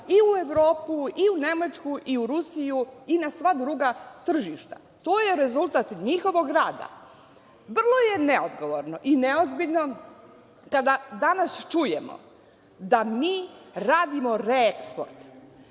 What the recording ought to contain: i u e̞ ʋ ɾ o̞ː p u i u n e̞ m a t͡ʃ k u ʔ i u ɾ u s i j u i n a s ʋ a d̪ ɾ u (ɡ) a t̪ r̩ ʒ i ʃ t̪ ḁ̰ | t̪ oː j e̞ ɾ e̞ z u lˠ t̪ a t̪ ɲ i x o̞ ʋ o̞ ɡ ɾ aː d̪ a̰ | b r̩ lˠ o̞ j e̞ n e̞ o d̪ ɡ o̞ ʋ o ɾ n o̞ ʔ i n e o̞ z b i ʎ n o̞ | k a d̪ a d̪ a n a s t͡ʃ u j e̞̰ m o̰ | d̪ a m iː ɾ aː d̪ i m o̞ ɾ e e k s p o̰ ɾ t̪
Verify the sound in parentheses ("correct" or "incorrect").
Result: correct